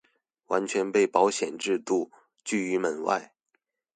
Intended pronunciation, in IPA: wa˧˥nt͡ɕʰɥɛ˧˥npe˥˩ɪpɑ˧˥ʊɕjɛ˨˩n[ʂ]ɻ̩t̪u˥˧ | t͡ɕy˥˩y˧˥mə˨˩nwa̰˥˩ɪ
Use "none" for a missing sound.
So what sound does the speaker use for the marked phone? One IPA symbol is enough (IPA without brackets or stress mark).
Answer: ʈ͡ʂ